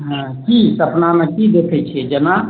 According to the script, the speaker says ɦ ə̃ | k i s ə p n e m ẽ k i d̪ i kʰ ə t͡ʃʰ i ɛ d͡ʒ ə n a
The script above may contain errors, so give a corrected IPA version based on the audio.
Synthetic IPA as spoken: ɦ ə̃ | k i s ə p n a m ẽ k i d̪ e kʰ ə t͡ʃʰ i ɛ d͡ʒ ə n a